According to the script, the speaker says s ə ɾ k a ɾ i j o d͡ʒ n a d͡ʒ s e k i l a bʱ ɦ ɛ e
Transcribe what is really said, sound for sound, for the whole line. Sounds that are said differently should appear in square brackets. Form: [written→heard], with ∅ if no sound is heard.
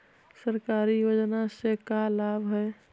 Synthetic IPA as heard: s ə ɾ k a ɾ i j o d͡ʒ n a [d͡ʒ→∅] s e k [i→a] l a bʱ ɦ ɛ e